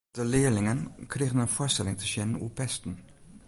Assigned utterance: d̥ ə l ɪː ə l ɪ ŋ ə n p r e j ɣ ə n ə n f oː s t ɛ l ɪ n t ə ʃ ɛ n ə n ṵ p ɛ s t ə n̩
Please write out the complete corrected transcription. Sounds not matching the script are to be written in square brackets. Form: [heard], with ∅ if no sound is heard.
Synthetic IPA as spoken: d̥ ə l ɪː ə l ɪ ŋ ə n [k] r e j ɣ ə n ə n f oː s t ɛ l ɪ [ŋ] t ə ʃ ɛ n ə n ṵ p ɛ s t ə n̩

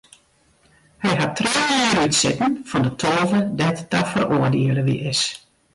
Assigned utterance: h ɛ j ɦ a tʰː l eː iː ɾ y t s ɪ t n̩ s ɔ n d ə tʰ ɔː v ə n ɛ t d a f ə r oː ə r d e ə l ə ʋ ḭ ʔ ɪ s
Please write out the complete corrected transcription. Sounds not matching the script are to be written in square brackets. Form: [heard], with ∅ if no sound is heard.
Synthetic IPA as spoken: h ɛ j ɦ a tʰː [r] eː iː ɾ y t s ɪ t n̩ [f] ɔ n d ə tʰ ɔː v ə [d] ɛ t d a f ə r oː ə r d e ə l ə ʋ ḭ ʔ ɪ s

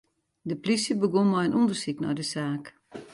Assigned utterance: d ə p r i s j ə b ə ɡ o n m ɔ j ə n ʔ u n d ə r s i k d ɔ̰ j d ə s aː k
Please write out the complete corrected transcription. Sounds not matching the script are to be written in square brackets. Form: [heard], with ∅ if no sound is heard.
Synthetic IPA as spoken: d ə p [l] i s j ə b ə ɡ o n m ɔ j ə n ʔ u n d ə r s i k [n] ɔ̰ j d ə s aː k

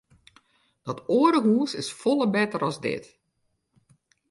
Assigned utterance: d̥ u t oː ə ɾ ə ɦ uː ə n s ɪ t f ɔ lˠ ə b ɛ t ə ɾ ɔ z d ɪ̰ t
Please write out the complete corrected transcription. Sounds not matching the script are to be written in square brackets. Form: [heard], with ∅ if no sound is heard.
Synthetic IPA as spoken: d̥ [ɔ] t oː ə ɾ ə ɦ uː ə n s ɪ [s] f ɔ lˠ ə b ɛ t ə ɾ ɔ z d ɪ̰ t

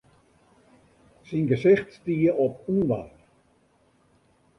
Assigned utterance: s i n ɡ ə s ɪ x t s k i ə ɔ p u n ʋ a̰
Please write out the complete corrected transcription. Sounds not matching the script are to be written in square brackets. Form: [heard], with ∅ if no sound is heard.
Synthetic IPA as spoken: s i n ɡ ə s ɪ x t s [t] i ə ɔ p u n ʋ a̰

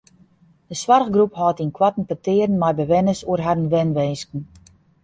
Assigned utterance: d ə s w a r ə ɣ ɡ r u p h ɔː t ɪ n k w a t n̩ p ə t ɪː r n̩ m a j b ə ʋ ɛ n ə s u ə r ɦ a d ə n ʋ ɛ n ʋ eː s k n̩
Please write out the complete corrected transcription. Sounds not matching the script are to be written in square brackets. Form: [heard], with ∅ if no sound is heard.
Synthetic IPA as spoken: d ə s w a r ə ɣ ɡ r u p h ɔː t [i] n k w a t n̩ p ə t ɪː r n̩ m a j b ə ʋ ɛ n ə s u ə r ɦ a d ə n ʋ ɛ n ʋ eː s k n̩

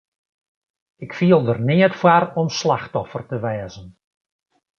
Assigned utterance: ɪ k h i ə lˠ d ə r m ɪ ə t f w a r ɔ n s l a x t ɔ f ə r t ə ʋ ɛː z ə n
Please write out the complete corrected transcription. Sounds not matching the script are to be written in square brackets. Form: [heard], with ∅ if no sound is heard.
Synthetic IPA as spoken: ɪ k [f] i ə lˠ d ə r [n] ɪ ə t f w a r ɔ [m] s l a x t ɔ f ə r t ə ʋ ɛː z ə n

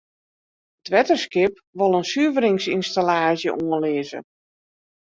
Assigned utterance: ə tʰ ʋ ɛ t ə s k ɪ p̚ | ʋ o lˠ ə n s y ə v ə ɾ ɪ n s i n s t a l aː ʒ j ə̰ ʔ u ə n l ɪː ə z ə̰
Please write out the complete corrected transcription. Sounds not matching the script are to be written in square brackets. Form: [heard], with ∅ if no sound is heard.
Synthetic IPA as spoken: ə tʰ ʋ ɛ t ə s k ɪ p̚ | ʋ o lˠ ə n s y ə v ə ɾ ɪ [ŋ] s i n s t a l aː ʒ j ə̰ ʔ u ə n l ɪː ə z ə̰

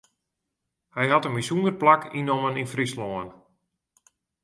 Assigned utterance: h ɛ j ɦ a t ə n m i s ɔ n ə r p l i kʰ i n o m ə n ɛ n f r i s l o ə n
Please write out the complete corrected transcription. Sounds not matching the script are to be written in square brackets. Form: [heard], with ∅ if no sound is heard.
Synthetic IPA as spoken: h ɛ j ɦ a t ə n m i s [u] n ə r p l [a] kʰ i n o m ə n [i] n f r i s l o ə n

